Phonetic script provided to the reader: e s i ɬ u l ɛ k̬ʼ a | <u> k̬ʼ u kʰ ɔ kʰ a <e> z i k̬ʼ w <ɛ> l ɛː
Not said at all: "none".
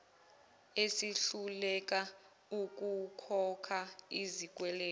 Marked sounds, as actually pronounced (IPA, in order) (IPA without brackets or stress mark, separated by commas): u, i, ɛ